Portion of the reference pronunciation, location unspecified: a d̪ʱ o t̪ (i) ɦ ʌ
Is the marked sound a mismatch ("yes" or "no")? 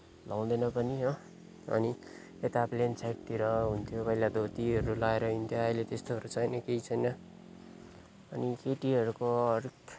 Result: no